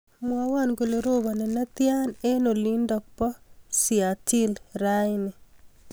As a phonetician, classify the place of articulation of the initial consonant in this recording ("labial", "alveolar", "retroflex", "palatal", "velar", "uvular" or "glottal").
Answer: labial